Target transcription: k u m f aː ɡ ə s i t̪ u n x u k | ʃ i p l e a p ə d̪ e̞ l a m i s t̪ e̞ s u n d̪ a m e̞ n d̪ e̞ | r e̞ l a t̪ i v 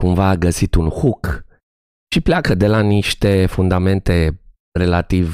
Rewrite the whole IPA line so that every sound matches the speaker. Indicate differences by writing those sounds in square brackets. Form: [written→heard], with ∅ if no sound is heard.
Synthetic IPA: k u m [f→v] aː ɡ ə s i t̪ u n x u k | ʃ i p l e a [p→k] ə d̪ e̞ l a [m→n] i [s→ʃ] t̪ e̞ [s→f] u n d̪ a m e̞ n [d̪→t̪] e̞ | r e̞ l a t̪ i v